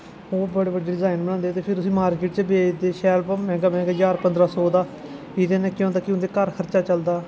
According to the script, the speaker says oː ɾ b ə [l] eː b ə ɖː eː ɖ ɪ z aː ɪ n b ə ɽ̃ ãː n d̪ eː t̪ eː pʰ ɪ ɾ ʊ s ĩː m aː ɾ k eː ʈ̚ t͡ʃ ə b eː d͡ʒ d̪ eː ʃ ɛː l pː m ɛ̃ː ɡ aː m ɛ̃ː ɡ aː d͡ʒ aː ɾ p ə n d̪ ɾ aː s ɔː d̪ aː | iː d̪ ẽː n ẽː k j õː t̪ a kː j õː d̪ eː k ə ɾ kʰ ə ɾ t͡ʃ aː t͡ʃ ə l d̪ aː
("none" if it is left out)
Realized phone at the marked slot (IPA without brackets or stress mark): ɽ